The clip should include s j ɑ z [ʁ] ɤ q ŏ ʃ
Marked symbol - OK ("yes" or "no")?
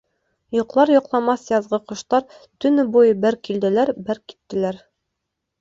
yes